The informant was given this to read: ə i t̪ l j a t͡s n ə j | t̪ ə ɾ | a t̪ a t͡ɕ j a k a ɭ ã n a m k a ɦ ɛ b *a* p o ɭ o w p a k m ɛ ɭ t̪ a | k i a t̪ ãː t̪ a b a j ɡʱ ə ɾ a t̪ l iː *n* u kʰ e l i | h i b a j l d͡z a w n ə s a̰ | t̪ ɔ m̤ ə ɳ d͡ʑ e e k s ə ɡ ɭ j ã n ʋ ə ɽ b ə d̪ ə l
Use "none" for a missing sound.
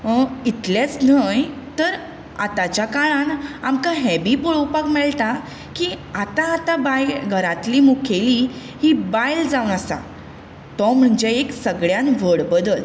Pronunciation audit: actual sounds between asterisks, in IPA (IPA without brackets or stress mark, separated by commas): i, m